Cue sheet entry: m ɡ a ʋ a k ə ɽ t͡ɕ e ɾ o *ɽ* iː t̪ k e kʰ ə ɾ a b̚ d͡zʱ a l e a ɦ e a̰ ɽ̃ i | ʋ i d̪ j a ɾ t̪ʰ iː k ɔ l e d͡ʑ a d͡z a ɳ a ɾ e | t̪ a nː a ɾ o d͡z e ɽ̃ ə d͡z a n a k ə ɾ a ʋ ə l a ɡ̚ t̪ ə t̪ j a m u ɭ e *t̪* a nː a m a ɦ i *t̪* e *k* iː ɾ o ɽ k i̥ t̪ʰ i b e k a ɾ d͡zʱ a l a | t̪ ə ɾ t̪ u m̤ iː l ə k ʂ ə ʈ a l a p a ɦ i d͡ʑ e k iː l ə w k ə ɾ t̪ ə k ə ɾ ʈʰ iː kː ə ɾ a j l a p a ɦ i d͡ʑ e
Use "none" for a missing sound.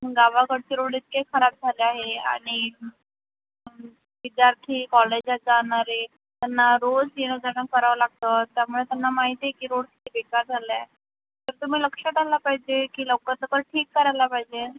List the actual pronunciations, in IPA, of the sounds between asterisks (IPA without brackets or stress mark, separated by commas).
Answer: ɽ, t̪, t̪, k